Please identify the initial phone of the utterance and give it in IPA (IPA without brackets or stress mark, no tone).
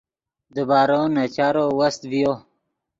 d̪